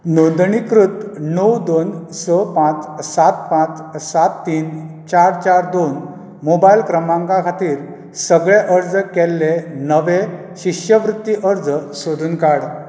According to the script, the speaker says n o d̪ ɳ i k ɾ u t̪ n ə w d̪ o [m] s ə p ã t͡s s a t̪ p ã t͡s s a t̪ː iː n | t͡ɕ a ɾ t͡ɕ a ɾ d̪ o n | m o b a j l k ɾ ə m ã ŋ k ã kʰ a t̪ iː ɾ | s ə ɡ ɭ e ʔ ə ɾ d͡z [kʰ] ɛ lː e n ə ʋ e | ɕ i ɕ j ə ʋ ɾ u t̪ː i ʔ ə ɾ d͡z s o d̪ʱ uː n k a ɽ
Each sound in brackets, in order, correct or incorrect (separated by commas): incorrect, incorrect